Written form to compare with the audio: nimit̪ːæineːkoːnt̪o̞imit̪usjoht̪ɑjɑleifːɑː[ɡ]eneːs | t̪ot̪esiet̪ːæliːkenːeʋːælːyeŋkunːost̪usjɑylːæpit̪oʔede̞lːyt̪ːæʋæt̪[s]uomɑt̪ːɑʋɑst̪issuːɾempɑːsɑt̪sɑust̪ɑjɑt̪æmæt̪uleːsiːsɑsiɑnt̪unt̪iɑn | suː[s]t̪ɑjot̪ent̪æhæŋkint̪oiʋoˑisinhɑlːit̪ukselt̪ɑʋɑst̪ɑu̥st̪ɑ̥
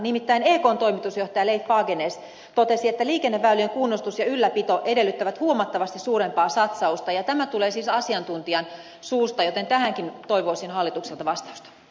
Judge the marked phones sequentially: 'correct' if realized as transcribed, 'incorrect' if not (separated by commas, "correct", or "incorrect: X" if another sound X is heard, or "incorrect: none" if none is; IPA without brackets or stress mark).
correct, incorrect: h, correct